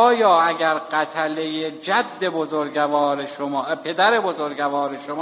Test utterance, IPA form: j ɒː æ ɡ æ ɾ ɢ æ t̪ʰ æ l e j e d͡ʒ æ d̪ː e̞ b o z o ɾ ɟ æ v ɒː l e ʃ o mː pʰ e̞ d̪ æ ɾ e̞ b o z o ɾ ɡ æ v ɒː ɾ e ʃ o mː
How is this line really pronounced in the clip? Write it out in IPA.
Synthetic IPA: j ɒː æ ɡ æ ɾ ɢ æ t̪ʰ æ l e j e d͡ʒ æ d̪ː e̞ b o z o ɾ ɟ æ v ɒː ɾ e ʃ o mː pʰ e̞ d̪ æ ɾ e̞ b o z o ɾ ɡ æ v ɒː ɾ e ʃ o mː